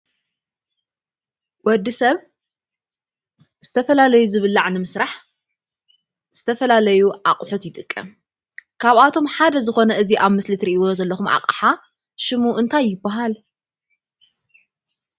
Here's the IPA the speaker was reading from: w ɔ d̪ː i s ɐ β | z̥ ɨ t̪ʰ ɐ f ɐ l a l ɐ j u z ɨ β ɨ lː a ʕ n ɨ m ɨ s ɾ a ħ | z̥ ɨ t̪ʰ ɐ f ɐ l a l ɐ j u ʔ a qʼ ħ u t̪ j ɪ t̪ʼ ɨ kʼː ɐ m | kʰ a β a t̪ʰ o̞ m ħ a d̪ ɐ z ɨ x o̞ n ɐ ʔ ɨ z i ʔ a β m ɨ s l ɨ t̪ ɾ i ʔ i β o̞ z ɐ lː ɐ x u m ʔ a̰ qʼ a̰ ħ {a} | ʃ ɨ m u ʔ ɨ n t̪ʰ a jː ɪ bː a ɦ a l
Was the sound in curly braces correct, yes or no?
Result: yes